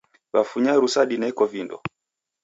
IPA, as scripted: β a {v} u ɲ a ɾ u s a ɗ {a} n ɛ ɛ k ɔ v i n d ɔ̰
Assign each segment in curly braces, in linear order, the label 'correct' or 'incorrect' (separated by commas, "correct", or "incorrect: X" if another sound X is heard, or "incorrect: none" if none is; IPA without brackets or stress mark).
incorrect: f, incorrect: i